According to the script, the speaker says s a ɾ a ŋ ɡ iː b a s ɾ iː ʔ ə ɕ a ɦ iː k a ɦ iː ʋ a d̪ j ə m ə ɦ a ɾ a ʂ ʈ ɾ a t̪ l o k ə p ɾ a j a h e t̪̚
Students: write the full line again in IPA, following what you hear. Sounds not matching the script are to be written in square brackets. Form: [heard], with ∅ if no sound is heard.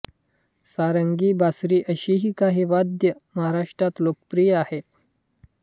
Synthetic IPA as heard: s a ɾ [ə] ŋ ɡ iː b a s ɾ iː ʔ ə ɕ [i] ɦ iː k a ɦ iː ʋ a d̪ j ə m ə ɦ a ɾ a ʂ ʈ ɾ a t̪ l o k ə p ɾ [i] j a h e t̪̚

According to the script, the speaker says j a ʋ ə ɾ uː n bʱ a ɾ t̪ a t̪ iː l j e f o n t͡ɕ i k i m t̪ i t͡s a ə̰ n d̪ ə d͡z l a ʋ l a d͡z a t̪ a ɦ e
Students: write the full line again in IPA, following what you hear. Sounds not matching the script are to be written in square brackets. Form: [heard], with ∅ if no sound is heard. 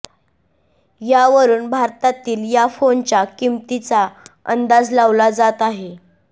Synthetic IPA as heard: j a ʋ ə ɾ uː n bʱ a ɾ t̪ a t̪ iː l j [a] f o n t͡ɕ [a] k i m t̪ i t͡s a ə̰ n d̪ [a] d͡z l a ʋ l a d͡z a t̪ a ɦ e

